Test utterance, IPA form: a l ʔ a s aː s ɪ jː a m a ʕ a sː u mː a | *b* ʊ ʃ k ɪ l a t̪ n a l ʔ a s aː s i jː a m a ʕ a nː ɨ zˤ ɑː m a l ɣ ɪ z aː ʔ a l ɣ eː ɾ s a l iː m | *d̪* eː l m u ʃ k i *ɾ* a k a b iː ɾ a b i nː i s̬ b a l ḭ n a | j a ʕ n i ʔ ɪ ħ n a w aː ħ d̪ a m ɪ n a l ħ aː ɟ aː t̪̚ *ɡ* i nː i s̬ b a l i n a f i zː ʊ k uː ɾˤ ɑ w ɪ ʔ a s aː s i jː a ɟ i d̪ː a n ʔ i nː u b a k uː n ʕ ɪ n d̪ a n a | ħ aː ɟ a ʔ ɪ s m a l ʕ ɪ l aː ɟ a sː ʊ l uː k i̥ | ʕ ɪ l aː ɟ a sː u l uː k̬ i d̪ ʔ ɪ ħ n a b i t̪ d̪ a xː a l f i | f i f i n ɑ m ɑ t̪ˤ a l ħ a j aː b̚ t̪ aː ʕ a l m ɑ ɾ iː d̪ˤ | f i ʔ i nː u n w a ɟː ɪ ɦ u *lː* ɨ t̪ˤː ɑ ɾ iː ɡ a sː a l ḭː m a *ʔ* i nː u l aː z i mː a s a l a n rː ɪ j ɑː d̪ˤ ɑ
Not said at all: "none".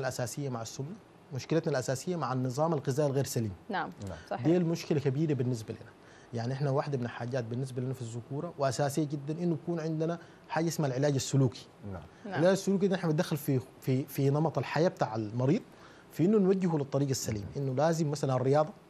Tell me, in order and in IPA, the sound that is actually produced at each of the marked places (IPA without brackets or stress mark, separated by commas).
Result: m, d̪, l, b, l, ʔ